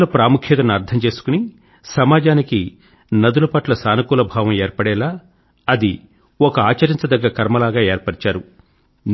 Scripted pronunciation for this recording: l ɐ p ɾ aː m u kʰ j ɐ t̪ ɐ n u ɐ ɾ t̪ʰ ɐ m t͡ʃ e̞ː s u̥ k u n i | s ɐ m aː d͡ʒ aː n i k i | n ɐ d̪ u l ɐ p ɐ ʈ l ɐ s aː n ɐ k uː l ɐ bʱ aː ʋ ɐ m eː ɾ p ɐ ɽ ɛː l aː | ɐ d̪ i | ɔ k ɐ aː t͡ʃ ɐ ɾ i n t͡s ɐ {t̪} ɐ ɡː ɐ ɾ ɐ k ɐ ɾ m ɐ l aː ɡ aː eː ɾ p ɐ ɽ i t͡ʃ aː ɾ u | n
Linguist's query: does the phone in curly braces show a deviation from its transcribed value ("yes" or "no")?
yes